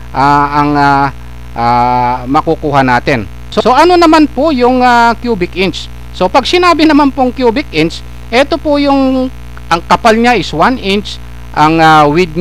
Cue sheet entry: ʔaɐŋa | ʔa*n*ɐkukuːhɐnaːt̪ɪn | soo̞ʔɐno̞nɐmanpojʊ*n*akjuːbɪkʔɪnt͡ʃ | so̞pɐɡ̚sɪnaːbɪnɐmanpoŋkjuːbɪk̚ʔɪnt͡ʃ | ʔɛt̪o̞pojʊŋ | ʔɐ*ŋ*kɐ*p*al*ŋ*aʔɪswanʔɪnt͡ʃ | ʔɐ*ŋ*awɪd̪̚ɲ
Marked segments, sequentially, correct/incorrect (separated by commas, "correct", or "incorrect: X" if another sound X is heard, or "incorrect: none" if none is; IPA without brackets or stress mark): incorrect: m, incorrect: ŋ, correct, correct, incorrect: ɲ, correct